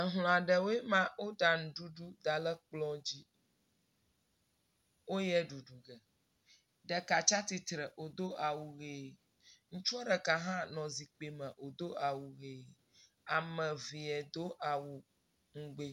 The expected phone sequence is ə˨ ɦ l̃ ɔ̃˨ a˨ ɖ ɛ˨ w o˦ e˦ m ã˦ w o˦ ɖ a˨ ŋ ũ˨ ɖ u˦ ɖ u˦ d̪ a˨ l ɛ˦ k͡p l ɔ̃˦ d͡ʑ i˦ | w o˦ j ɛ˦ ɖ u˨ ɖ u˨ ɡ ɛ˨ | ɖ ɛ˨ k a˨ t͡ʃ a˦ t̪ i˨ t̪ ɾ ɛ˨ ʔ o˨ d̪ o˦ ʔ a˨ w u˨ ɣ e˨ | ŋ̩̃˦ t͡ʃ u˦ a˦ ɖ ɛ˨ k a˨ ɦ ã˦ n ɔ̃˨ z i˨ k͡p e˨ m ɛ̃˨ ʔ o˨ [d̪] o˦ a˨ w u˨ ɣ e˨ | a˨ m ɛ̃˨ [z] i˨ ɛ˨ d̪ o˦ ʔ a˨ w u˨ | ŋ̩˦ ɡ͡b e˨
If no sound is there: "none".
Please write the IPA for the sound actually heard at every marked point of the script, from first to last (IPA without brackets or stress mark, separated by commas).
d̪, v